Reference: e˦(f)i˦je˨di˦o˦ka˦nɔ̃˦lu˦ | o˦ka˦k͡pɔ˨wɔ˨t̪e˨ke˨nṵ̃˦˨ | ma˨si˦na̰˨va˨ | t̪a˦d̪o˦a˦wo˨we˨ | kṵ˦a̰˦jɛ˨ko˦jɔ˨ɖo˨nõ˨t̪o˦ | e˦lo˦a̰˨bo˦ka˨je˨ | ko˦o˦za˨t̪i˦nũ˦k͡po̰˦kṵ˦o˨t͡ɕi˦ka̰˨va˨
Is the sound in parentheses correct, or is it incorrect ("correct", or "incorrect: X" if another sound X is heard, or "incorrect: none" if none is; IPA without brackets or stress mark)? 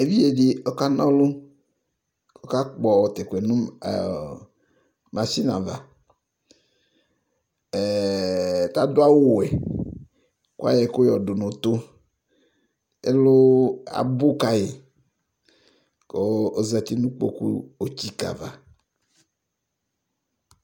incorrect: v